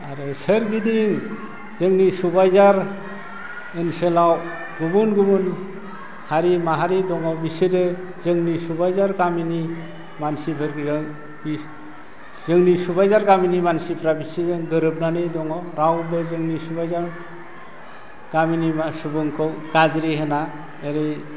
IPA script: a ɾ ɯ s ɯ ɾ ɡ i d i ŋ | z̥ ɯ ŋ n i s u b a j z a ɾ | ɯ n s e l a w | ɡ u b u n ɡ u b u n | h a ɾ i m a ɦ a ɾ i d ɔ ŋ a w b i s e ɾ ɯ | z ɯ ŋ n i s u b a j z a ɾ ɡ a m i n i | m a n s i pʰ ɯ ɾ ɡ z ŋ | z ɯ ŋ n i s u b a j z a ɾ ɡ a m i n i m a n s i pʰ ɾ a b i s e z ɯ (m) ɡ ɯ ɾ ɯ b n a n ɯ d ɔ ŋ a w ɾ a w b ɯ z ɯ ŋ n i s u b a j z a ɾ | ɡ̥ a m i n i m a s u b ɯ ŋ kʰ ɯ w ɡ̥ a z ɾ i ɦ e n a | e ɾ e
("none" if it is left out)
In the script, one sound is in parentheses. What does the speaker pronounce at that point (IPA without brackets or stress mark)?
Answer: ŋ